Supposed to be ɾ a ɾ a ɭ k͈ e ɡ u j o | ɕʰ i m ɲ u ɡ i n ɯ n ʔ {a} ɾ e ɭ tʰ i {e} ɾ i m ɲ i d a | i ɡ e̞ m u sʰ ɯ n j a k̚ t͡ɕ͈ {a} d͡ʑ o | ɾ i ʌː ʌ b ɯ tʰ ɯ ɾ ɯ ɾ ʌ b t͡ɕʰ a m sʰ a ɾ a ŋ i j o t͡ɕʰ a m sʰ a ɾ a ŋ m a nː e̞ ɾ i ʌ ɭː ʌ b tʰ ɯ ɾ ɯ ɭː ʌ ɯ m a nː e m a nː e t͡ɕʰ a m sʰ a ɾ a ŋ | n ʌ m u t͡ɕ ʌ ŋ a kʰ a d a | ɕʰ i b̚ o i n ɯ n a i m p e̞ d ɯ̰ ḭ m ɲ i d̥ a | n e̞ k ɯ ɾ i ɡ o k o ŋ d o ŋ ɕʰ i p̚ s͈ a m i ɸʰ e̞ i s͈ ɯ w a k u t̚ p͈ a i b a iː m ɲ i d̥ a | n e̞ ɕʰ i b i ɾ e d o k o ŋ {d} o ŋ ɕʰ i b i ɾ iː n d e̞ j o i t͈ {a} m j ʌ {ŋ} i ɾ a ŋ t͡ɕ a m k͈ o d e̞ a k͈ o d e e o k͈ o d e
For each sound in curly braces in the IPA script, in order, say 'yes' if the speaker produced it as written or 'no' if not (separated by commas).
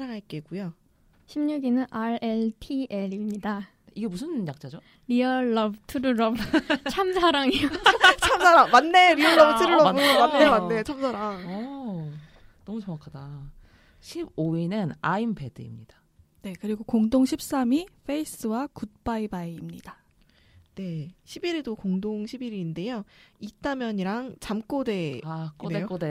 yes, yes, yes, yes, yes, no